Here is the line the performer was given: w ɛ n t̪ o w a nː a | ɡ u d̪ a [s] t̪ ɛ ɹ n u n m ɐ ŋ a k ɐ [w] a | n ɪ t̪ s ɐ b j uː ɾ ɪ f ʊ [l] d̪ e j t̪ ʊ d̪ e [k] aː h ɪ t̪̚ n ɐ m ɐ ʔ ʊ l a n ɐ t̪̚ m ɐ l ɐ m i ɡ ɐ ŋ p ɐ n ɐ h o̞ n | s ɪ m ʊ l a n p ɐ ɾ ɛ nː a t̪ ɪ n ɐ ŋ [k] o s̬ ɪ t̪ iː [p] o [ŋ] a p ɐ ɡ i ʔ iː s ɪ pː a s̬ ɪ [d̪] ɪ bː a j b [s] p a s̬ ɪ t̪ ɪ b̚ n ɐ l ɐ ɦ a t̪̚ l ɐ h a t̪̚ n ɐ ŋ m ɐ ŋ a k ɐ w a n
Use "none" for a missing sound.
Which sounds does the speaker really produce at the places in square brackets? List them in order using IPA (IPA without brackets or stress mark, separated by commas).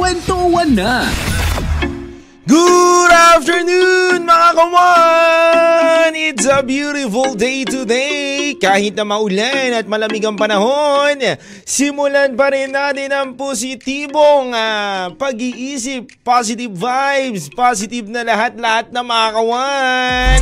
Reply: f, w, l, k, p, b, ŋ, t̪, s